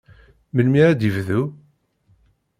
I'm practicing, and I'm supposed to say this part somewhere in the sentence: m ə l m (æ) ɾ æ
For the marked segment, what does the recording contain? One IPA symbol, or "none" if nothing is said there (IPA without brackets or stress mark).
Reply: i